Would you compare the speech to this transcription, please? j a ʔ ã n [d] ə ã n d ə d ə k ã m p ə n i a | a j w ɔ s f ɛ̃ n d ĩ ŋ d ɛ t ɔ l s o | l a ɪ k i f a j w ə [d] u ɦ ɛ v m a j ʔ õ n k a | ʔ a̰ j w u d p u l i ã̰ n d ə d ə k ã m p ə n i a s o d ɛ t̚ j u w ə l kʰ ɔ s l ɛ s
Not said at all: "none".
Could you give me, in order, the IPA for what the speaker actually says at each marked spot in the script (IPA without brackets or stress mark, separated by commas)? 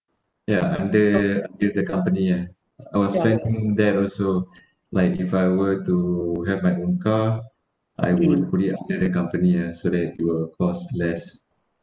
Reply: d, t